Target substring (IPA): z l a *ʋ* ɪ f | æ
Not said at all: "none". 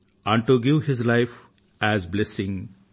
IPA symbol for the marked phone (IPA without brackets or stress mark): none